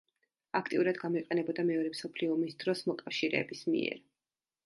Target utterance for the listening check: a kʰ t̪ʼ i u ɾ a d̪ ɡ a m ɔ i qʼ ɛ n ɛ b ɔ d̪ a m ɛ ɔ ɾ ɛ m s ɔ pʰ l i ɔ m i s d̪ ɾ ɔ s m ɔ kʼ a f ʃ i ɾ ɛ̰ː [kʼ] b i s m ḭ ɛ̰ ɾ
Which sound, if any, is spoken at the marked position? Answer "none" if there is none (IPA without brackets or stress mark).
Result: none